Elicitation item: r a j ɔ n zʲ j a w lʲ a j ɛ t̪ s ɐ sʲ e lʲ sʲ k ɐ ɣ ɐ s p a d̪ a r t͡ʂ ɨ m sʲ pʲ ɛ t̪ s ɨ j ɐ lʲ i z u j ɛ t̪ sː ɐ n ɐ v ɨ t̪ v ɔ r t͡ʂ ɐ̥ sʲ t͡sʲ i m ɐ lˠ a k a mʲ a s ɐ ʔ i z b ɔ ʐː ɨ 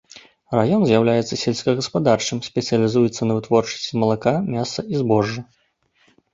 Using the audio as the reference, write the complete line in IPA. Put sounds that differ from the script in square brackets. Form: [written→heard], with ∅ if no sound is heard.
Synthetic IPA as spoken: r a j ɔ n zʲ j a w lʲ a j ɛ t̪ s ɐ sʲ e lʲ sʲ k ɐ ɣ ɐ s p a d̪ a r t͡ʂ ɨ m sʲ pʲ ɛ t̪ s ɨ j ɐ lʲ i z u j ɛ t̪ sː ɐ n ɐ v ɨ t̪ v ɔ r t͡ʂ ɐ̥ sʲ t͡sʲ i m ɐ lˠ a k a mʲ a s ɐ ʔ i z b ɔ ʐː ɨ